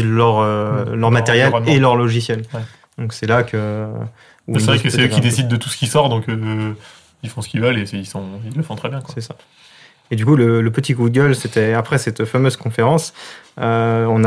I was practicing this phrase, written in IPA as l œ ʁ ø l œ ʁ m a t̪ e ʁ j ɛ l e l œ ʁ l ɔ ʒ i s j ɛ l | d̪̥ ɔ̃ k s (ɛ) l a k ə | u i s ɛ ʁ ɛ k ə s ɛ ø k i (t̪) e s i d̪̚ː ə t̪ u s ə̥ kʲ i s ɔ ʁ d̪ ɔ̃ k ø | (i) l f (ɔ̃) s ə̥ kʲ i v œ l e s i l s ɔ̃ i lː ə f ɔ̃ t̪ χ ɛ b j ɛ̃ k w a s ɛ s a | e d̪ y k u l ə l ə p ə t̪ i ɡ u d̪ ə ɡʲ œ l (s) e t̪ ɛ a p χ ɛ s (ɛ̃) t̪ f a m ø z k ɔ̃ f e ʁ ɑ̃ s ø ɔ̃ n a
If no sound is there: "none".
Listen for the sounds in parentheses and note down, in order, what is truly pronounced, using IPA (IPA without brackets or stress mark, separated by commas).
ɛ, d̪, i, ɔ̃, s, ɛ